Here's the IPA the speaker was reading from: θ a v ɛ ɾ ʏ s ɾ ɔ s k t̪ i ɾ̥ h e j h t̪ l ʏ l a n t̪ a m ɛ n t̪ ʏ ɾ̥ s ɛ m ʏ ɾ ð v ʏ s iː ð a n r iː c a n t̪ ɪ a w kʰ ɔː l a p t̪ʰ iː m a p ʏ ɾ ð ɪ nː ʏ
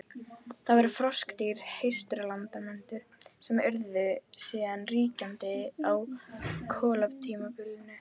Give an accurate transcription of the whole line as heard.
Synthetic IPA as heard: θ a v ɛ ɾ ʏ f ɾ ɔ s k t̪ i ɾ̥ h e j s t̪ ɾ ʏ l a n t̪ a m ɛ n t̪ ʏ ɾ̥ s ɛ m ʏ ɾ ð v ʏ s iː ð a n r iː c a n t̪ ɪ a w kʰ ɔː l a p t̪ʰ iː m a p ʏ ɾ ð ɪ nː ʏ